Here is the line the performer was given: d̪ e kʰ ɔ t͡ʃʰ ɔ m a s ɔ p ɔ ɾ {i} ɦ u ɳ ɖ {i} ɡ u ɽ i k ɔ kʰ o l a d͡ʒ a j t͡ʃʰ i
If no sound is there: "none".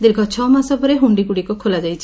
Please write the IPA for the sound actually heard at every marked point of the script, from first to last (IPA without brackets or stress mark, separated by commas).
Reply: e, i